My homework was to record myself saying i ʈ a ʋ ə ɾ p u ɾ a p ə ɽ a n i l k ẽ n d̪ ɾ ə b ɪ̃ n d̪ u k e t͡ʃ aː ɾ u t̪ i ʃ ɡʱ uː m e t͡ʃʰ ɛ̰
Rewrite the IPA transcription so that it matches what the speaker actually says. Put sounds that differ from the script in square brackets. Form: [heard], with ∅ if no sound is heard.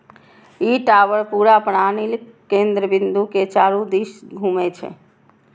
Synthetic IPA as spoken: i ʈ a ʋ ə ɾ p u ɾ a p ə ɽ a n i l k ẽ n d̪ ɾ ə b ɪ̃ n d̪ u k e t͡ʃ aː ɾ u [d̪] i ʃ ɡʱ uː m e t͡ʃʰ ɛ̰